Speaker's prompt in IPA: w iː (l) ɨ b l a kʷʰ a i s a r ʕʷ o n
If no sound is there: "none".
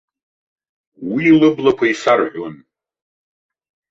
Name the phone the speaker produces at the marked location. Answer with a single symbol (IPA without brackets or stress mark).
l